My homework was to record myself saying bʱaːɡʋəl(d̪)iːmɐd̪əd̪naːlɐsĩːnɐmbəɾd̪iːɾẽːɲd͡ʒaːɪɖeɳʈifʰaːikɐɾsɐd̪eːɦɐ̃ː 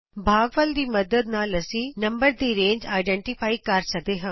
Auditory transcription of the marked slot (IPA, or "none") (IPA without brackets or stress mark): d̪